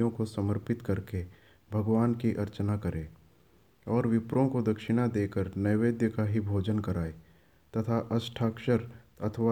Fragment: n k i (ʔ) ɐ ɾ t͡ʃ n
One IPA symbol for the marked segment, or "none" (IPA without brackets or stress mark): ʔ